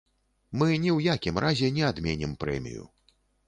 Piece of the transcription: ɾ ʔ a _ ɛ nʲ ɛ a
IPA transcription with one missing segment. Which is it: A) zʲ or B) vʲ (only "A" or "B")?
A